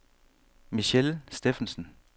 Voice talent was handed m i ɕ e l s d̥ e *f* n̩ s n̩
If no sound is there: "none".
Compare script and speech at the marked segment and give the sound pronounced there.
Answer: f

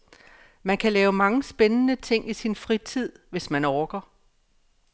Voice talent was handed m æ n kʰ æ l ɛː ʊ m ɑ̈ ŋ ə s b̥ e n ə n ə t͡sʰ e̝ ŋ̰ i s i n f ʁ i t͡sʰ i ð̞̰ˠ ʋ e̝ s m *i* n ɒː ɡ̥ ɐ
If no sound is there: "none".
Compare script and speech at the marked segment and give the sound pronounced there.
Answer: æ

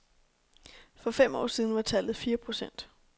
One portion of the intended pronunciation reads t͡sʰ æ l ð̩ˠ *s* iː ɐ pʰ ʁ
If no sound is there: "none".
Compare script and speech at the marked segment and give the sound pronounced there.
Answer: f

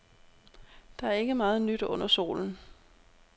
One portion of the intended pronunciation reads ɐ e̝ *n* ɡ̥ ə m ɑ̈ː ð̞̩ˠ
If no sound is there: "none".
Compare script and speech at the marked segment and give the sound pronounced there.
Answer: none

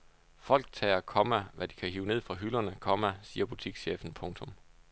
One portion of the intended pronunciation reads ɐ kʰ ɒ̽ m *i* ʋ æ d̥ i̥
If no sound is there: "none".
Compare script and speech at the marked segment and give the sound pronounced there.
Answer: æ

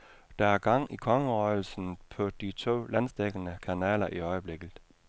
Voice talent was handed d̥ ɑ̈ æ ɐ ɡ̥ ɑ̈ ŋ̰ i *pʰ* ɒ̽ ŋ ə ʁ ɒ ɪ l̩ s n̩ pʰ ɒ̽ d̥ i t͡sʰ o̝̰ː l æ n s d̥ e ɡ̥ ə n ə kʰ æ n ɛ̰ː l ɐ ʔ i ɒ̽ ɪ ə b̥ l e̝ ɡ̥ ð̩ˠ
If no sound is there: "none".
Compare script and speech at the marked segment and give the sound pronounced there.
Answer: kʰ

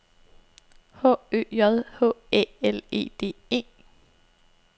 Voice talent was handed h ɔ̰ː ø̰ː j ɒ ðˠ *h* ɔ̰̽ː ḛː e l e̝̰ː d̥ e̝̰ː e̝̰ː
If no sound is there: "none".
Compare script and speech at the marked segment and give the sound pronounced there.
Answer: h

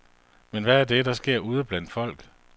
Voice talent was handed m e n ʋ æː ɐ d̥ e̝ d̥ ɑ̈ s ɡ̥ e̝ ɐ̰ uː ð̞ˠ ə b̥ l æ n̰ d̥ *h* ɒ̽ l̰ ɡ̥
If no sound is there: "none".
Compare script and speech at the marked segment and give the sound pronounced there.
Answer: f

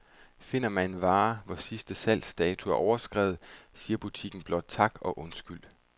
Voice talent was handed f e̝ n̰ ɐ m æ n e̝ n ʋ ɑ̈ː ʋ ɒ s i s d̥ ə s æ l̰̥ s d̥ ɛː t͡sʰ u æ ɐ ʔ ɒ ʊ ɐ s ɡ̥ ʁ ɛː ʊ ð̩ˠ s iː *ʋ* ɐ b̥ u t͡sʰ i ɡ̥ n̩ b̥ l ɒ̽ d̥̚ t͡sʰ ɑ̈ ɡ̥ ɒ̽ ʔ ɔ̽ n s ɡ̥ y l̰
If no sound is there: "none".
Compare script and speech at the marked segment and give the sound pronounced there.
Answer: none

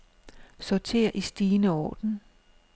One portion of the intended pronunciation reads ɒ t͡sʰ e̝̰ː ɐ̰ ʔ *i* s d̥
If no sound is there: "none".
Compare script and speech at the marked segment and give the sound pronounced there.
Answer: i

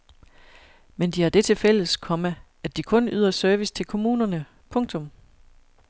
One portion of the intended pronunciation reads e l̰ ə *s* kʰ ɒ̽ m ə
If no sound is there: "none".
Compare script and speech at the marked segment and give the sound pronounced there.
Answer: s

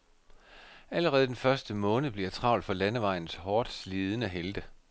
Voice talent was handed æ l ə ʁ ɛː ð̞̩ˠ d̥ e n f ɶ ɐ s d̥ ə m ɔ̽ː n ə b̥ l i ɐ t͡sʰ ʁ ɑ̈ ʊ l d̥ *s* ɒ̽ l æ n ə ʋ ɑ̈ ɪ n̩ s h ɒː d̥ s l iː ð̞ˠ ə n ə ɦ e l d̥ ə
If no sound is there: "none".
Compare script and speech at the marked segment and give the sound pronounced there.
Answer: f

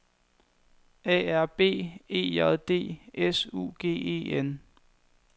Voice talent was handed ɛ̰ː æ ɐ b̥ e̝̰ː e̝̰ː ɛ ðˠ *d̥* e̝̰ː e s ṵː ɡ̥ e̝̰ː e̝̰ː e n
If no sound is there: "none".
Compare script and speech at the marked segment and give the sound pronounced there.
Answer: d̥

